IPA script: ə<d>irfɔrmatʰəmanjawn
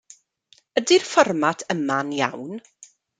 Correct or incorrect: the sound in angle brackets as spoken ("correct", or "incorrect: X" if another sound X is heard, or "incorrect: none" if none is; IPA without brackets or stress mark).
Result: correct